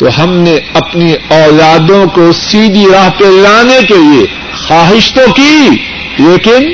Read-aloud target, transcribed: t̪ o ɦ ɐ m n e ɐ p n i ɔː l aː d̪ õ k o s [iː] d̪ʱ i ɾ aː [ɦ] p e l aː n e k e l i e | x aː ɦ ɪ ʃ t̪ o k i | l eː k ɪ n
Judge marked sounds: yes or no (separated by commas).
yes, yes